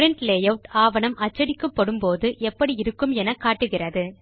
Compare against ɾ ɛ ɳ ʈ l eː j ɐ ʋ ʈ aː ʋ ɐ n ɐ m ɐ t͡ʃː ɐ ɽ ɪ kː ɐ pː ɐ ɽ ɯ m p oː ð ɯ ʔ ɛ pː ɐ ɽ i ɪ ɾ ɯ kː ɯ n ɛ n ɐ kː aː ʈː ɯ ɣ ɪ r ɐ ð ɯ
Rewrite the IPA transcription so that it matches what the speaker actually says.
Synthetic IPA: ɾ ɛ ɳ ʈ l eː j ɐ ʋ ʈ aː ʋ ɐ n ɐ m ɐ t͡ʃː ɐ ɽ ɪ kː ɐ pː ɐ ɽ ɯ m p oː ð ɯ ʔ ɛ pː ɐ ɽ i ɪ ɾ ɯ kː ɯ m ɛ n ɐ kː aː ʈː ɯ ɣ ɪ r ɐ ð ɯ